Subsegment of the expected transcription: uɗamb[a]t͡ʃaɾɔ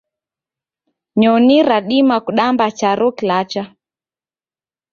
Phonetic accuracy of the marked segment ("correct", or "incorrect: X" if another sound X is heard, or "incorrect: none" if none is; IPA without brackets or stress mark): correct